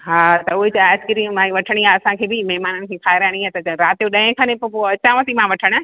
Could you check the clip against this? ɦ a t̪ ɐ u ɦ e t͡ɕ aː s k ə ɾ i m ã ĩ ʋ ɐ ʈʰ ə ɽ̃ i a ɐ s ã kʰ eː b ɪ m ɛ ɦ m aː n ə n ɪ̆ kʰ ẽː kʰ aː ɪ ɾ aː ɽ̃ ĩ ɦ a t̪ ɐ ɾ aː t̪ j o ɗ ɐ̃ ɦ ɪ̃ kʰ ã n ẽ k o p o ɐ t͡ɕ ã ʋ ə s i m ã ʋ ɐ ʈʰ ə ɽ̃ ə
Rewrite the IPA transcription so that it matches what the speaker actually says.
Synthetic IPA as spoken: ɦ a t̪ ɐ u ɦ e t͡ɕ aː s k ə ɾ i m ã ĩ ʋ ɐ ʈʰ ə ɽ̃ i a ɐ s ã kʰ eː b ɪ m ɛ ɦ m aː n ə n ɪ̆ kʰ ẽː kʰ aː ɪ ɾ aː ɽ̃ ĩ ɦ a t̪ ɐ ɾ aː t̪ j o ɗ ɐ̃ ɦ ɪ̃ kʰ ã n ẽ p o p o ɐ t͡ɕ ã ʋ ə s i m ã ʋ ɐ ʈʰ ə ɽ̃ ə